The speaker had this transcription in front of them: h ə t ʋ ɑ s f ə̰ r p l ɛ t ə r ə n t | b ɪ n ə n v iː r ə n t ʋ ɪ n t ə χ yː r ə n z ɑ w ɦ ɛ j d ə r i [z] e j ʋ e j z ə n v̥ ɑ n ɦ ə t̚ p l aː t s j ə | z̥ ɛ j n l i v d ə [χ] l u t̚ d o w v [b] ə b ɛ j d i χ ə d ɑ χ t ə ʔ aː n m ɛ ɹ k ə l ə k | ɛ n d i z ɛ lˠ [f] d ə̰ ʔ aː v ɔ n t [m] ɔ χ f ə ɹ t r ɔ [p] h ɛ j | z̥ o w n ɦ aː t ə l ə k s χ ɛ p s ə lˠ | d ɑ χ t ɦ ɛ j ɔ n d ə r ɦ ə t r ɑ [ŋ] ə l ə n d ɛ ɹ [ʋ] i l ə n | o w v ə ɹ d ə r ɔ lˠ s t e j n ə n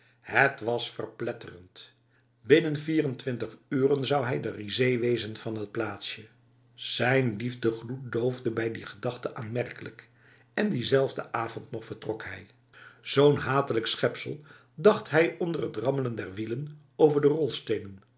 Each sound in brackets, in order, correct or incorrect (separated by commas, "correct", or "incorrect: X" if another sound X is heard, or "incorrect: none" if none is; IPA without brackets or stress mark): correct, correct, incorrect: d, incorrect: v, incorrect: n, incorrect: k, incorrect: m, correct